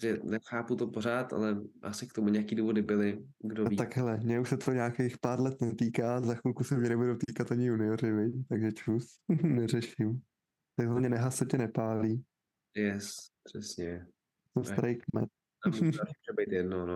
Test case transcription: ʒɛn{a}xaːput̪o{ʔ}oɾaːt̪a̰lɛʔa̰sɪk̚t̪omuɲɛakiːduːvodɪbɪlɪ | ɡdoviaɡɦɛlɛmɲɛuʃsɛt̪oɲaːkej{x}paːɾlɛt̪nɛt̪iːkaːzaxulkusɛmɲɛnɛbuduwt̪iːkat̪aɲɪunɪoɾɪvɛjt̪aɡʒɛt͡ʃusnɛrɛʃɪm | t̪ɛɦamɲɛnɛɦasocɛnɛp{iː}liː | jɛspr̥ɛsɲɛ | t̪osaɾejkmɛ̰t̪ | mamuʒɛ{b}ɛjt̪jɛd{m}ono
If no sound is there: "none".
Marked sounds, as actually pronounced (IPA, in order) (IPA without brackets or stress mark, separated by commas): ɛ, p, x, aː, b, n